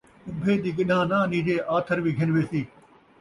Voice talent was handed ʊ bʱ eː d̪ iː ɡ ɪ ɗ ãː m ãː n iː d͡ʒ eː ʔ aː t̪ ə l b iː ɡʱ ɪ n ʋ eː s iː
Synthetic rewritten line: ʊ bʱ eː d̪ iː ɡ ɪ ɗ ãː n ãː n iː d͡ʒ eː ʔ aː t̪ʰ ə ɾ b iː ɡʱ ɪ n ʋ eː s iː